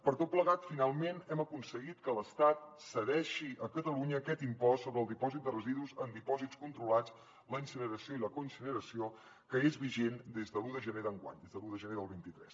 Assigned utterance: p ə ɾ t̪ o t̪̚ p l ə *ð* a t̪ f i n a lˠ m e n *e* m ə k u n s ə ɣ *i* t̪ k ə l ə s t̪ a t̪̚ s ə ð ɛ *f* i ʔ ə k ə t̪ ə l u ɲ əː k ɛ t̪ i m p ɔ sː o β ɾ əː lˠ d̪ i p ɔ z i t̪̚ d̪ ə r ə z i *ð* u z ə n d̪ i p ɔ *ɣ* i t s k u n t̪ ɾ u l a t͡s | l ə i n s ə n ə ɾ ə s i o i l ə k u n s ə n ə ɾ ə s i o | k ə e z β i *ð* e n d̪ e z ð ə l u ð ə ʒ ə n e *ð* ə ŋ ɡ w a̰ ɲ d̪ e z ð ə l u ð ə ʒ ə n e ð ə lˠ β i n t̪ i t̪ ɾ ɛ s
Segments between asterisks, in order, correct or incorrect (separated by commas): incorrect, incorrect, correct, incorrect, correct, incorrect, incorrect, correct